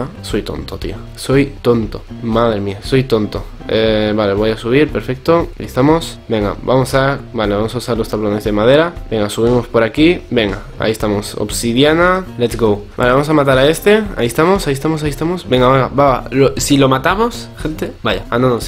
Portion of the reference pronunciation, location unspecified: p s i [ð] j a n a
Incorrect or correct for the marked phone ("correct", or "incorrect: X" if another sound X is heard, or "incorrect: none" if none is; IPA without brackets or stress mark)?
correct